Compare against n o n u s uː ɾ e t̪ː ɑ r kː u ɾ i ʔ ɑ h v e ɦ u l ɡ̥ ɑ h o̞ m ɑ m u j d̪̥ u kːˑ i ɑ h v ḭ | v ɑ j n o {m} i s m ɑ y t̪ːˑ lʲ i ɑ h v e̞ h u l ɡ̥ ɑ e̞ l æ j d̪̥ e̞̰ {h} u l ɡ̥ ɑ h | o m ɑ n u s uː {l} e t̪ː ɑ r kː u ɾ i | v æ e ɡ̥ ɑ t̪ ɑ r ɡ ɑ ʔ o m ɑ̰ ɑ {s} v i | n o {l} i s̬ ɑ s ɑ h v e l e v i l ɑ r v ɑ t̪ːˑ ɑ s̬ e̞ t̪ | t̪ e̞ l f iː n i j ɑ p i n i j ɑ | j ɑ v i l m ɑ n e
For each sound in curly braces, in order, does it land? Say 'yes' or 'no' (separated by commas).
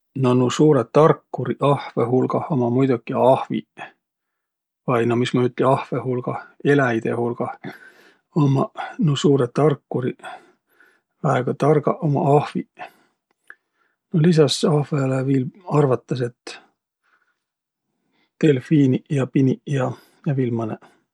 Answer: yes, yes, no, no, yes